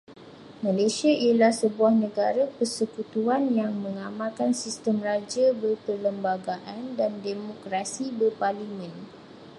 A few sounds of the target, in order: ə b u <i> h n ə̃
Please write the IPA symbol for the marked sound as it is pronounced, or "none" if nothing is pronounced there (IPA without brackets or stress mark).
a